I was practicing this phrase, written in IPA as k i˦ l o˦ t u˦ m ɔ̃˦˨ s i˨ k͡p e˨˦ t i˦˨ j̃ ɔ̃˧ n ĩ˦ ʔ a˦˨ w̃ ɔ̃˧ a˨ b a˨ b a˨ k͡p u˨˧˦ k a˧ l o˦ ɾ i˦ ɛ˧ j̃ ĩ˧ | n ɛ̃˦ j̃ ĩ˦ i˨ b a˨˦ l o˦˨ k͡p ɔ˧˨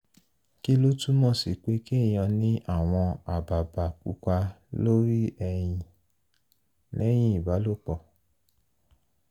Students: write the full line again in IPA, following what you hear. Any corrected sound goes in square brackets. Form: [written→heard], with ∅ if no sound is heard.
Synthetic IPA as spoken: k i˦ l o˦ t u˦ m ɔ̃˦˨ s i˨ k͡p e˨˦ [t→k] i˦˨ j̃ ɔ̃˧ n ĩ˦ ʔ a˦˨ w̃ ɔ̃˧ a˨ b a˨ b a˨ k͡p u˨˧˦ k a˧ l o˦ ɾ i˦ ɛ˧ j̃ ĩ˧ | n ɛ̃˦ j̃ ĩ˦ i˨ b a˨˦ l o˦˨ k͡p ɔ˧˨